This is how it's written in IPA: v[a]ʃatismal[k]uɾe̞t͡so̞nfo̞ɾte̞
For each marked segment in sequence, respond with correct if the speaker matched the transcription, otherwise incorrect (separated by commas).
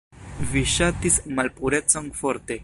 incorrect, incorrect